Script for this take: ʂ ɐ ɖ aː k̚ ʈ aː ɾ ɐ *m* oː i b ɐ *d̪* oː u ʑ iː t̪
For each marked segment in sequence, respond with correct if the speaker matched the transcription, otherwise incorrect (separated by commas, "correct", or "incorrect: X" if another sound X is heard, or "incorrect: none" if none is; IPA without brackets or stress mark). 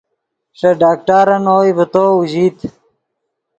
incorrect: n, incorrect: t̪